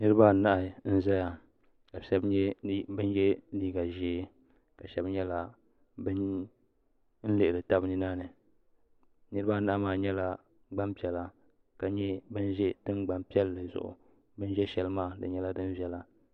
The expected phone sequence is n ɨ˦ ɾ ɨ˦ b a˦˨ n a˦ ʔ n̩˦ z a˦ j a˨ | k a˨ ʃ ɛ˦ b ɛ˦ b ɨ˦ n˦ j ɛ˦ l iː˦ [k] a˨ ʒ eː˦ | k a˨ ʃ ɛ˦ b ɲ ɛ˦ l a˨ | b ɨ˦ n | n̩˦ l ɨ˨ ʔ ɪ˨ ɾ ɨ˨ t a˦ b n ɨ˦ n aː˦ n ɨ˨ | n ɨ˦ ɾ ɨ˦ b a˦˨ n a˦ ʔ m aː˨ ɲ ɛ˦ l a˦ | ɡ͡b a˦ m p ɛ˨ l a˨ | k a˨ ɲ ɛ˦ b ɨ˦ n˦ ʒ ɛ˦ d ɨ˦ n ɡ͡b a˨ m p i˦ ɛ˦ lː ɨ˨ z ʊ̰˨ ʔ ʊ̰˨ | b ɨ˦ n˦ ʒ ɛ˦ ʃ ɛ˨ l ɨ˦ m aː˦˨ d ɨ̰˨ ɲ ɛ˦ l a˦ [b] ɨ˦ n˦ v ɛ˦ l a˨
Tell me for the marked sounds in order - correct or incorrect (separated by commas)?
incorrect, incorrect